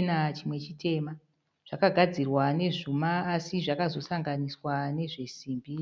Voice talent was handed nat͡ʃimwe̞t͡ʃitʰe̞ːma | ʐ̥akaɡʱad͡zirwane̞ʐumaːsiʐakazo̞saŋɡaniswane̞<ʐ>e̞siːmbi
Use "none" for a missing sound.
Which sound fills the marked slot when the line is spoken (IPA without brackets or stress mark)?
ʐ